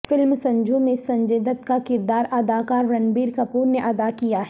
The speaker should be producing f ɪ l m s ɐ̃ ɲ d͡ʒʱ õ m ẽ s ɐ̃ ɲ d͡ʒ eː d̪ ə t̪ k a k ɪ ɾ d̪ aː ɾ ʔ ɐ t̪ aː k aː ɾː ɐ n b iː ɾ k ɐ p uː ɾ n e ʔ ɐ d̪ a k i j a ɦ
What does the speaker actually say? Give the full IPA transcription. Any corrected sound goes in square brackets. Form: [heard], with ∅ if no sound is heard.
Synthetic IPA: f ɪ l m s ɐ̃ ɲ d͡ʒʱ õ m ẽ s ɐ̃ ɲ d͡ʒ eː d̪ ə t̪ k a k ɪ ɾ d̪ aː ɾ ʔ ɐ [d̪] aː k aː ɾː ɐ n b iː ɾ k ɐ p uː ɾ n e ʔ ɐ d̪ a k i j a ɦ